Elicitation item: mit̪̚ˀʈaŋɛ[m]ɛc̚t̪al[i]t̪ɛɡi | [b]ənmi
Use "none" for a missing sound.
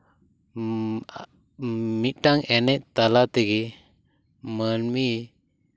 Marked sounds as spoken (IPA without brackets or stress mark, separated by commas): n, a, m